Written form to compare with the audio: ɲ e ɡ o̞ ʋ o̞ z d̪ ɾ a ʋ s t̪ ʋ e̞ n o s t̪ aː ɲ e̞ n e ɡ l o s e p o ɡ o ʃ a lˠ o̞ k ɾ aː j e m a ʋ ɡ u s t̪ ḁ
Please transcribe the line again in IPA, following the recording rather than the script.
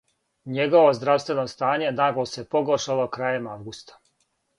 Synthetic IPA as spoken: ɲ e ɡ o̞ ʋ o̞ z d̪ ɾ a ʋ s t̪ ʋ e̞ n o s t̪ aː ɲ e̞ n a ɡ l o s e p o ɡ o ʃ a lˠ o̞ k ɾ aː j e m a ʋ ɡ u s t̪ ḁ

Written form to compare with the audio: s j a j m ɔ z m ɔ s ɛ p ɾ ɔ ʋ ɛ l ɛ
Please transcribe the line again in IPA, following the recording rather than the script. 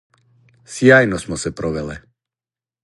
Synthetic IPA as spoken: s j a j n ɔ s m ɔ s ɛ p ɾ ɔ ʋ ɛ l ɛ

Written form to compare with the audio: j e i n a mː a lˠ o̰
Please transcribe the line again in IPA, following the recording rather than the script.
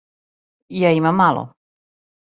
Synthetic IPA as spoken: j a i m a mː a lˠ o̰

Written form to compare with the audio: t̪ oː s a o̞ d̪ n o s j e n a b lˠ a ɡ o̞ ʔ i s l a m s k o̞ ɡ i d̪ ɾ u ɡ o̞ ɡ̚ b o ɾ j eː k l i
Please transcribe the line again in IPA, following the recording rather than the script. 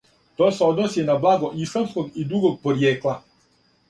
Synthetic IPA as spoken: t̪ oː s e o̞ d̪ n o s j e n a b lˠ a ɡ o̞ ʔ i s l a m s k o̞ ɡ i d̪ ɾ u ɡ o̞ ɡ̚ p o ɾ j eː k l a

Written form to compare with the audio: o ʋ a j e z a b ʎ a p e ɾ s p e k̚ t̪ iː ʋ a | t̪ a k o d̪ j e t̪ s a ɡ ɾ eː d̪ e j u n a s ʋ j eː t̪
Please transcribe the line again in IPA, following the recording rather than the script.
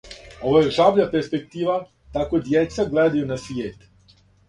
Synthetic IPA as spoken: o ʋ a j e ʒ a b ʎ a p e ɾ s p e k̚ t̪ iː ʋ a | t̪ a k o d̪ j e t̪ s a ɡ l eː d̪ a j u n a s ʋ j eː t̪

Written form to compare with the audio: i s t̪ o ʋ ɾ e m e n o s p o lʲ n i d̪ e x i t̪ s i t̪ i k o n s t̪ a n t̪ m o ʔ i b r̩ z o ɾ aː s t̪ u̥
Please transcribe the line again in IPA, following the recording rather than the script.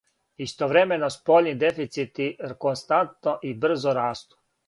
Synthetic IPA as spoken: i s t̪ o ʋ ɾ e m e n o s p o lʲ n i d̪ e f i t̪ s i t̪ i k o n s t̪ a n t̪ n o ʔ i b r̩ z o ɾ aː s t̪ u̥

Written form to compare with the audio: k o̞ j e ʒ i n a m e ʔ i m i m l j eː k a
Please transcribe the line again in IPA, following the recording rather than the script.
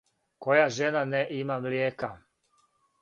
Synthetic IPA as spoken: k o̞ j a ʒ e n a n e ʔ i m a m l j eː k a

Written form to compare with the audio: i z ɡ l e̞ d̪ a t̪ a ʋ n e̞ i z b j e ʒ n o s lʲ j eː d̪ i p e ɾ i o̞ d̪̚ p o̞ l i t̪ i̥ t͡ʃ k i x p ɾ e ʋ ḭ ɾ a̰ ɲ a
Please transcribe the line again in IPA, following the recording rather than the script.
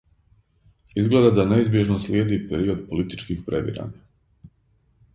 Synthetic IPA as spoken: i z ɡ l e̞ d̪ a d̪ a n e̞ i z b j e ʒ n o s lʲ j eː d̪ i p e ɾ i o̞ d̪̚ p o̞ l i t̪ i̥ t͡ʃ k i x p ɾ e ʋ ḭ ɾ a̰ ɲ a

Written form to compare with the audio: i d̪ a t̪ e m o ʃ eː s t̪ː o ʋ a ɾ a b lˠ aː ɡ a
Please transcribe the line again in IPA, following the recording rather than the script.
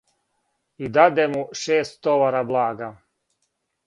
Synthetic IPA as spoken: i d̪ a d̪ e m u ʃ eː s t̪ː o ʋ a ɾ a b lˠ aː ɡ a

